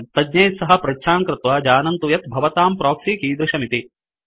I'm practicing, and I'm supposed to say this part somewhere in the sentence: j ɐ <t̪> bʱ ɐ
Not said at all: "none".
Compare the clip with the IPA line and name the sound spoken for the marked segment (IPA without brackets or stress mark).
t̪